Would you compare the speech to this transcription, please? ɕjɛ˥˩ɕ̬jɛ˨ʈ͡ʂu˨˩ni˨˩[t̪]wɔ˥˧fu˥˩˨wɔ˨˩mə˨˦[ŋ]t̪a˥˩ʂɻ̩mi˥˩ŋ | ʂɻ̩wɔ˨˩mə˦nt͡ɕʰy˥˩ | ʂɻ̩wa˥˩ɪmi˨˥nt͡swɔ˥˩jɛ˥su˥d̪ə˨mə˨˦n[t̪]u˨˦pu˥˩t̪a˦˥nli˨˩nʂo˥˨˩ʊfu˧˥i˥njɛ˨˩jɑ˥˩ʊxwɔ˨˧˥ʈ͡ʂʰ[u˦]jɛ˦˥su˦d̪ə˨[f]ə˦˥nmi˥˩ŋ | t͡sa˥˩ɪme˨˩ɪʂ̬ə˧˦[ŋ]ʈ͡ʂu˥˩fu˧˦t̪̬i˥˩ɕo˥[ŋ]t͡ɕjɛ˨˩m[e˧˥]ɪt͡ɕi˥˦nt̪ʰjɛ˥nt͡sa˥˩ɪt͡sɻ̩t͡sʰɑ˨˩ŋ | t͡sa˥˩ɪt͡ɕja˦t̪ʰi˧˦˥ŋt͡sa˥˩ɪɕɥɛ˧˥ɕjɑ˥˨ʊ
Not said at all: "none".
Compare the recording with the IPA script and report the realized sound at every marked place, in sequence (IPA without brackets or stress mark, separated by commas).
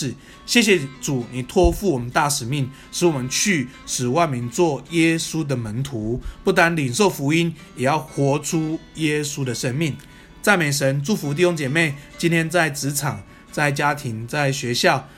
t̪ʰ, n, t̪ʰ, u˦, ʂ, n, ŋ, e˥˩